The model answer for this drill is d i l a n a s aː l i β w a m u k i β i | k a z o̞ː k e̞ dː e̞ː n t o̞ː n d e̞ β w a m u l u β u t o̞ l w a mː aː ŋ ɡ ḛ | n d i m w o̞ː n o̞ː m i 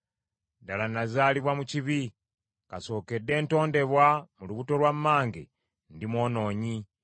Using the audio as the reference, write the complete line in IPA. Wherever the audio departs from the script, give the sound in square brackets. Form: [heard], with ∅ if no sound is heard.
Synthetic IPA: d [a] l a n a [z] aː l i β w a m u [c] i β i | k a [s] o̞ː k e̞ dː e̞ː n t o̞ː n d e̞ β w a m u l u β u t o̞ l w a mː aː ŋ ɡ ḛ | n d i m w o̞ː n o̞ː [ɲ] i